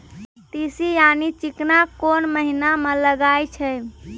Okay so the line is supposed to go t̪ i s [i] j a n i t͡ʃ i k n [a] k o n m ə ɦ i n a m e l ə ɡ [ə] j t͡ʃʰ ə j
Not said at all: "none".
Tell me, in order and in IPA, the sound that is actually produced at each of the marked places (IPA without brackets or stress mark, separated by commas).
i, a, a